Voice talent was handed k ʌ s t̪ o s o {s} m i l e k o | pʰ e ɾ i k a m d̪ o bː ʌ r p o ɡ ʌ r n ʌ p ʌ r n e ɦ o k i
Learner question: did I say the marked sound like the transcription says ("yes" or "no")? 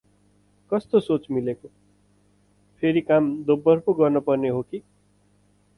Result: no